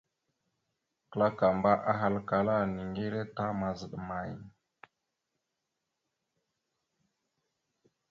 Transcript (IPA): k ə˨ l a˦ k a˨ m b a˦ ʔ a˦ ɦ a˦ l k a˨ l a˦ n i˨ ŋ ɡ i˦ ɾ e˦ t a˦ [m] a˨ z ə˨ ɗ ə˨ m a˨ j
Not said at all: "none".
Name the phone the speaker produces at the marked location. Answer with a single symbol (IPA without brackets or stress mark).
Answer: m